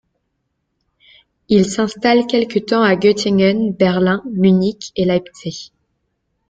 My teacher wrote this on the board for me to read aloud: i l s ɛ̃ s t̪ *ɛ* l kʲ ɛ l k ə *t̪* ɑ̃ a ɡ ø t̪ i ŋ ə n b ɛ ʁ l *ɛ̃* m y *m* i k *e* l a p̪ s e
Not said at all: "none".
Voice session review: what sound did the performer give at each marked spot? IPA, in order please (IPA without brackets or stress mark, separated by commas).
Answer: a, t̪, ɛ̃, n, e